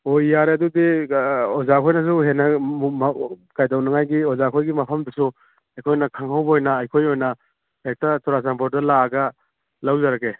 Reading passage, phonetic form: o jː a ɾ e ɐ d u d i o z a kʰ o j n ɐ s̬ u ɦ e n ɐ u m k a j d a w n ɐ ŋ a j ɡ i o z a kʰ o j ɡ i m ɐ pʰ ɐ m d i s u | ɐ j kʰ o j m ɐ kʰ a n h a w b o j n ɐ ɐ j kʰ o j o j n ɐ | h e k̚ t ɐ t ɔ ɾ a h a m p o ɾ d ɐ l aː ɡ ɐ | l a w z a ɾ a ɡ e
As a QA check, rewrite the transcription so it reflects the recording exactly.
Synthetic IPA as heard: o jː a ɾ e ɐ d u d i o z a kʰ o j n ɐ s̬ u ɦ e n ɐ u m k a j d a w n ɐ ŋ a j ɡ i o z a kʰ o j ɡ i m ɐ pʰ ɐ m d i s u | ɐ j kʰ o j n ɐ kʰ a ŋ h a w b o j n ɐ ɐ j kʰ o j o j n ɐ | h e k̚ t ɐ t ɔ ɾ a s a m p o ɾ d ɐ l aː ɡ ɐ | l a w z a ɾ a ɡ e